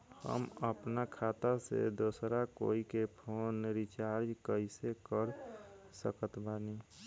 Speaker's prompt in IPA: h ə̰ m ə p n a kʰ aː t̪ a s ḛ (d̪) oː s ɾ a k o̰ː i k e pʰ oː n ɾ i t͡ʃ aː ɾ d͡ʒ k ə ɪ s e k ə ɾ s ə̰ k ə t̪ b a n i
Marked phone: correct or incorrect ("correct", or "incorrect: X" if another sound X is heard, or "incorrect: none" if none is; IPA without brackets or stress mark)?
correct